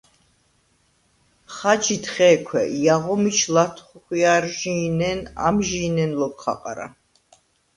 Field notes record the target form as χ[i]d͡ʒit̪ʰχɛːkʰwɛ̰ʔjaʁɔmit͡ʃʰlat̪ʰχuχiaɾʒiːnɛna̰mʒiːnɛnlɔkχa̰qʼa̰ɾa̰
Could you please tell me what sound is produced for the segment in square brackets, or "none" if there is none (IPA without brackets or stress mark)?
a